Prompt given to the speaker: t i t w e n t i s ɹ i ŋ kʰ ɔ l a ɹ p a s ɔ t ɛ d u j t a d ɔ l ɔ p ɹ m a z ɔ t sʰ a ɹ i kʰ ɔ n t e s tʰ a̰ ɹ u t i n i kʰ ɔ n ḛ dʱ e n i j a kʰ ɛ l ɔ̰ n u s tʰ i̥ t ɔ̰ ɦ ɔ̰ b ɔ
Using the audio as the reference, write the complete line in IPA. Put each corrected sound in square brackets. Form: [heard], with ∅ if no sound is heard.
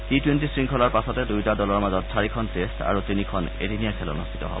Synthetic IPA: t i t w e n t i s ɹ i ŋ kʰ ɔ l a ɹ p a s ɔ t ɛ d u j t a d ɔ l ɔ [∅] ɹ m a z ɔ t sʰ a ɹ i kʰ ɔ n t e s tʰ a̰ ɹ u t i n i kʰ ɔ n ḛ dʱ [i] n i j a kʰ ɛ l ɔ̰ n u s tʰ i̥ t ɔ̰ ɦ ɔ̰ b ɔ